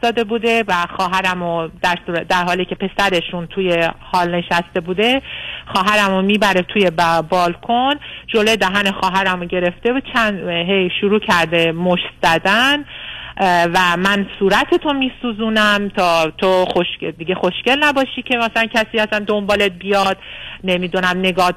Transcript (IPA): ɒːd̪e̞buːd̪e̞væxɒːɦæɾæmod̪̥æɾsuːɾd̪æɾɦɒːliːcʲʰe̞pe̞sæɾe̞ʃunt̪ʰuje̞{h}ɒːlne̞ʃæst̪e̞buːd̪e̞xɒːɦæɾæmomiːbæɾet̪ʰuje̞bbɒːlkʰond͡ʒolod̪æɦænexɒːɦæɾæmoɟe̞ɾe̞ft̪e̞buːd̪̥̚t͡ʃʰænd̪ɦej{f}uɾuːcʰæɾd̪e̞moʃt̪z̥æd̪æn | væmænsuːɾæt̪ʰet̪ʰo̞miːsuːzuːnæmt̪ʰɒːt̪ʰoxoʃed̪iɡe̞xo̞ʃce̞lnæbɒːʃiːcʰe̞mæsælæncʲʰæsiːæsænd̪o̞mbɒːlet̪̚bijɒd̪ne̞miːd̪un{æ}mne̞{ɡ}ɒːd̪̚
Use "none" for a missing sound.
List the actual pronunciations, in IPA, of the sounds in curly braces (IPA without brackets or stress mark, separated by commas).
h, ʃ, æ, ɡ